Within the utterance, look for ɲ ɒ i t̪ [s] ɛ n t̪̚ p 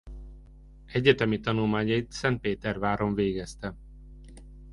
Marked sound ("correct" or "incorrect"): correct